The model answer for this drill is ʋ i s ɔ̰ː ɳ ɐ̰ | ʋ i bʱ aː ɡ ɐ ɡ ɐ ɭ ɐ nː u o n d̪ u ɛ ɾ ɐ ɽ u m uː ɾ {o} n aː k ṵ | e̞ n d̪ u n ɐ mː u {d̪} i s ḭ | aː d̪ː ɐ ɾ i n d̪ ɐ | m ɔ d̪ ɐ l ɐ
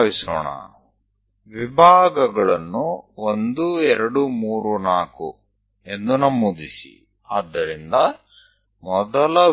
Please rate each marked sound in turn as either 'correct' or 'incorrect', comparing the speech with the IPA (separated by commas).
incorrect, correct